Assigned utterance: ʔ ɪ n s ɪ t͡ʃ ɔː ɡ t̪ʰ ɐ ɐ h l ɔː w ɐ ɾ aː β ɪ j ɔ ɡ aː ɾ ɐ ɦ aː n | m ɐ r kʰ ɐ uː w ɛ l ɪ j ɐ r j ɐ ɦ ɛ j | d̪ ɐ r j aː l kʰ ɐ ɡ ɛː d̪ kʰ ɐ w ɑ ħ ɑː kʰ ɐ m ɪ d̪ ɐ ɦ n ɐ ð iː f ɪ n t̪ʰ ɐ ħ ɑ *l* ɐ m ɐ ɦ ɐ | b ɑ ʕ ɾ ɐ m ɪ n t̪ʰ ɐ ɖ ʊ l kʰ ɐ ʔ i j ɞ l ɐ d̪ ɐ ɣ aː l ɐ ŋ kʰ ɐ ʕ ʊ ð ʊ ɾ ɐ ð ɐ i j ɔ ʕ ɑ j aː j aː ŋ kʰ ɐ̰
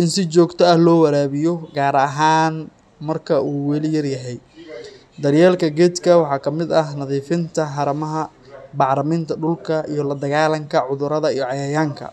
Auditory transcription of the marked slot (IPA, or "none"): ɾ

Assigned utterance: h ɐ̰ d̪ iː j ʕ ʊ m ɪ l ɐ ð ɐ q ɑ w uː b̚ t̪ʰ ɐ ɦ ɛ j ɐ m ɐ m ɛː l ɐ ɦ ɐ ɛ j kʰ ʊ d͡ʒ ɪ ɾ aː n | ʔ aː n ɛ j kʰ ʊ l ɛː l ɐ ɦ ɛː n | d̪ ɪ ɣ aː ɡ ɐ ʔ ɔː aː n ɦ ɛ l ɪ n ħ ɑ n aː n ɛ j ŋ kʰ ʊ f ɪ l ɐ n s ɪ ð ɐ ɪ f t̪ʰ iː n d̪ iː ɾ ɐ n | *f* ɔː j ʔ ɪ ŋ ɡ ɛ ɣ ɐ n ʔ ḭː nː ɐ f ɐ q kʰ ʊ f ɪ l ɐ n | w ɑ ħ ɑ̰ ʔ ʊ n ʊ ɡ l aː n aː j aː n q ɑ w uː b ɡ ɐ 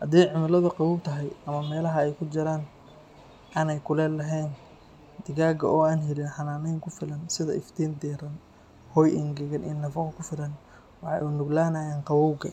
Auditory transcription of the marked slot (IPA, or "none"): h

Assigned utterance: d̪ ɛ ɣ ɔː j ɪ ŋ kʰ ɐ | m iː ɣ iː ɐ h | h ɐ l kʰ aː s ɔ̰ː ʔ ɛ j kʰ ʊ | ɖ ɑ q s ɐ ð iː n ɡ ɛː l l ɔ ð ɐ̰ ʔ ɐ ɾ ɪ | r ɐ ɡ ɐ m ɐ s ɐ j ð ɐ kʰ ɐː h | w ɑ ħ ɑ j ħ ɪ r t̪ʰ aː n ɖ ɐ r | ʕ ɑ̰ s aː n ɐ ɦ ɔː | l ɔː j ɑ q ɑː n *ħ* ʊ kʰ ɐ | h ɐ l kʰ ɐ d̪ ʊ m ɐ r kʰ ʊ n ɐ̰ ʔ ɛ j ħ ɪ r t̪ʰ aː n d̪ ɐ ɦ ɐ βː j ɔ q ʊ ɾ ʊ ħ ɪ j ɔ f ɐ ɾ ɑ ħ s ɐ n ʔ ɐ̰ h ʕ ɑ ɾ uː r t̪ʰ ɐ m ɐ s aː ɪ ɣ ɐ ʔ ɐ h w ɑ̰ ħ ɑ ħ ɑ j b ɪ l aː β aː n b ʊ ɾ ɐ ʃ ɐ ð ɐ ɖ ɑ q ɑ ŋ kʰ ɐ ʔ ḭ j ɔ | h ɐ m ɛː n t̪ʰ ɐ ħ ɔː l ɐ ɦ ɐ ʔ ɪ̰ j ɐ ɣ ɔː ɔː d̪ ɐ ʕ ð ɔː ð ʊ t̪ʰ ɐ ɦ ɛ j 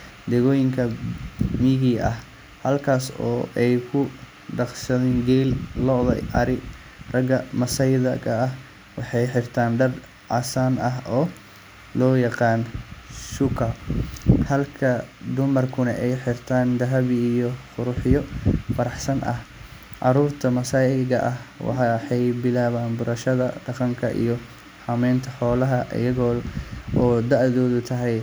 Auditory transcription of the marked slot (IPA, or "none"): ʃ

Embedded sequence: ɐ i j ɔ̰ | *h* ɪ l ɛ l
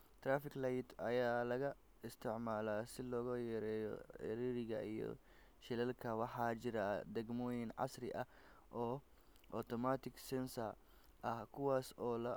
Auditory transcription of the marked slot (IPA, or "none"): ʃ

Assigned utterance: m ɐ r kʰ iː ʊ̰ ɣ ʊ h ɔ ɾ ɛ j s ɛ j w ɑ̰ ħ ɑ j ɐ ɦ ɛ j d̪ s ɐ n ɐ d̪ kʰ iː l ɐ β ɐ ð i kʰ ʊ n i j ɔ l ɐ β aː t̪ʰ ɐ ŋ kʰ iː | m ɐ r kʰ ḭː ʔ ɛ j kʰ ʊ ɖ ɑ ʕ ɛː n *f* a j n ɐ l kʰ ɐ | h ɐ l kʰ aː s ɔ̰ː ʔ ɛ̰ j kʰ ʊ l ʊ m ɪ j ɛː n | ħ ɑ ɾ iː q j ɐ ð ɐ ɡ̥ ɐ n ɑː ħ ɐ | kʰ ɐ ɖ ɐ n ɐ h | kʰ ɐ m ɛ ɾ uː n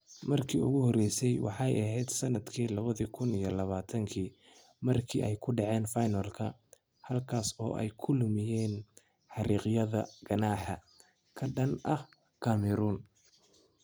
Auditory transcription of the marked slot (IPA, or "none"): f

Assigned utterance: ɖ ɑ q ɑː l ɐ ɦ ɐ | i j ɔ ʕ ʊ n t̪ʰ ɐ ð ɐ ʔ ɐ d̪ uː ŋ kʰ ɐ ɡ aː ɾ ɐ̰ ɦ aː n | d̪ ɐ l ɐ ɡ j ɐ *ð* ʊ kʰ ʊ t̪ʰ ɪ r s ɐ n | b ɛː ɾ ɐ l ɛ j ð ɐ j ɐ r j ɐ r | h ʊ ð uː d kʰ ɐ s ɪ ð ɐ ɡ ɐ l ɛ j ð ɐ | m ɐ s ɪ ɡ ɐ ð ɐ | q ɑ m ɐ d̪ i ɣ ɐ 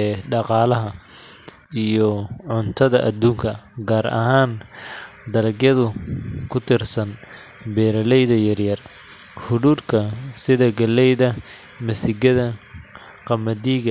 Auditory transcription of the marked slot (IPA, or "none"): ð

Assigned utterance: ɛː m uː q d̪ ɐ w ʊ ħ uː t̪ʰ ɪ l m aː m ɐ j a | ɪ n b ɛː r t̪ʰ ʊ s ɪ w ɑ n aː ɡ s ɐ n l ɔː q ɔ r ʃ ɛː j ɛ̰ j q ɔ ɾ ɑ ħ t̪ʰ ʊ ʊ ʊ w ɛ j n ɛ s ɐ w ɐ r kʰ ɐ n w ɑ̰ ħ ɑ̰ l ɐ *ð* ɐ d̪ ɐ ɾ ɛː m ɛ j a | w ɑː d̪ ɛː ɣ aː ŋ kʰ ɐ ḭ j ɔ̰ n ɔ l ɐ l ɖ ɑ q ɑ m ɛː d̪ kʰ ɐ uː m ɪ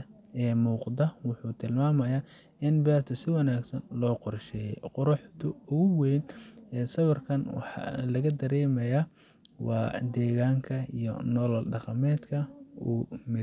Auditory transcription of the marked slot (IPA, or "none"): ɣ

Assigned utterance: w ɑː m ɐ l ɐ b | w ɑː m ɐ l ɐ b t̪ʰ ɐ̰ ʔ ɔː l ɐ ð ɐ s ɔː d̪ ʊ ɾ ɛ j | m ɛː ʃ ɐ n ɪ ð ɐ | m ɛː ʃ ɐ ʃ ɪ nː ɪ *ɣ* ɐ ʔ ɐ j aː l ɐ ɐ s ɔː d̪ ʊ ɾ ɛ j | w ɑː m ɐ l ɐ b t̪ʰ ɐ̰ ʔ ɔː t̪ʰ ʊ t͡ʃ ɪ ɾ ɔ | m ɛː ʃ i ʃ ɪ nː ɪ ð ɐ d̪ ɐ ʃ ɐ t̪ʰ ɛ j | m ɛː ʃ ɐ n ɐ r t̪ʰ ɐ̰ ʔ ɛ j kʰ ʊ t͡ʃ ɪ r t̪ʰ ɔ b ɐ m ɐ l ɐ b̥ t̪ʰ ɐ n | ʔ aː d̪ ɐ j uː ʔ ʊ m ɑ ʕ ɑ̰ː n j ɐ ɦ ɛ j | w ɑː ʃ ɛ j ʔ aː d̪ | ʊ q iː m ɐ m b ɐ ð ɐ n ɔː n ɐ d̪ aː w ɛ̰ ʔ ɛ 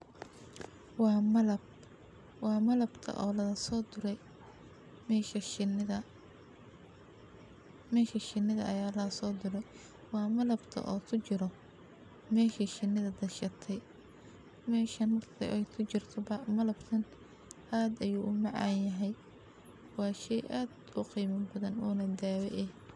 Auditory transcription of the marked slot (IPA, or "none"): ð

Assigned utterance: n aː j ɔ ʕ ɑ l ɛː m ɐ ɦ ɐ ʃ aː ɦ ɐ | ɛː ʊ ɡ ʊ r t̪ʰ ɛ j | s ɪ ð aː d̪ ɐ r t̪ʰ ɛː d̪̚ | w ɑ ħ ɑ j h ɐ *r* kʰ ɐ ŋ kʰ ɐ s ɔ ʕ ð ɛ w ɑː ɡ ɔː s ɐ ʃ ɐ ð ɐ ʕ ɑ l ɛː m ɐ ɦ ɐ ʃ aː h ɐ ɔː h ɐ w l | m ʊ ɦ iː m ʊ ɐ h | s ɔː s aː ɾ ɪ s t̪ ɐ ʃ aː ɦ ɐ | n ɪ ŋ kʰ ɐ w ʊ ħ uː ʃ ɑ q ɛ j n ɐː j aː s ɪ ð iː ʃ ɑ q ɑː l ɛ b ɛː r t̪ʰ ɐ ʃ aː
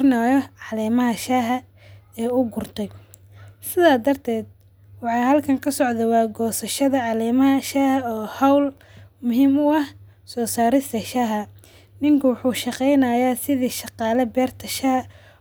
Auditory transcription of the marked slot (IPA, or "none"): l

